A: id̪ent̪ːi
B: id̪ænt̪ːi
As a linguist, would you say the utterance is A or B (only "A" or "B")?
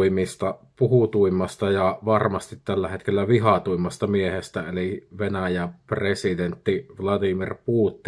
A